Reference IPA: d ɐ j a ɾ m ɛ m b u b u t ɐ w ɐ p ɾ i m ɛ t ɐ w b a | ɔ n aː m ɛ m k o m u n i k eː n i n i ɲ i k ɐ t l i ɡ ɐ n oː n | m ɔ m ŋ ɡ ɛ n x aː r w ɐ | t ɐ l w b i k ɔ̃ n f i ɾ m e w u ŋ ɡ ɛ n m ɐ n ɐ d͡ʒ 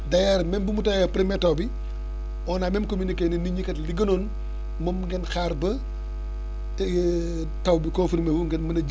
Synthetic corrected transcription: d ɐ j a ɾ m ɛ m b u m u t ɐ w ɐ p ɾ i m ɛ t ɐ w b i | ɔ n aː m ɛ m k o m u n i k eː n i n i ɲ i k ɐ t l i ɡ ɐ n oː n | m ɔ m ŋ ɡ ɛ n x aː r b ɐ | t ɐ w b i k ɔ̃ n f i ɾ m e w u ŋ ɡ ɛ n m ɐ n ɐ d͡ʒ